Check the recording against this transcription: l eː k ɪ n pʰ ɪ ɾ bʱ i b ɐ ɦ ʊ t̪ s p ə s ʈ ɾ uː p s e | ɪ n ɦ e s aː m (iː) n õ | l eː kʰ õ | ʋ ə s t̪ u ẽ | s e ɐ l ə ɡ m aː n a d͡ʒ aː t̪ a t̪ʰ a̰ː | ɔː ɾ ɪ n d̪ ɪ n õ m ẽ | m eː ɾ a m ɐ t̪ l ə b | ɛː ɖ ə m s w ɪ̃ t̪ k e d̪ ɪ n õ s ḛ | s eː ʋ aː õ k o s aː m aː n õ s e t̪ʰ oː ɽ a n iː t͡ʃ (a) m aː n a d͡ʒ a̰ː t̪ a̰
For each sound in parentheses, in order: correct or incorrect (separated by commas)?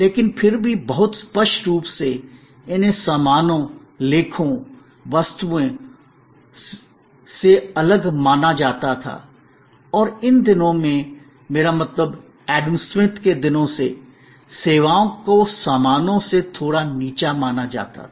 incorrect, correct